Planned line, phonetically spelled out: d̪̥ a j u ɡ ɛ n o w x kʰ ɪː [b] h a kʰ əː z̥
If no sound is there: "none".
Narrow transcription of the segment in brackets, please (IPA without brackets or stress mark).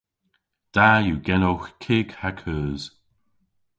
ɡ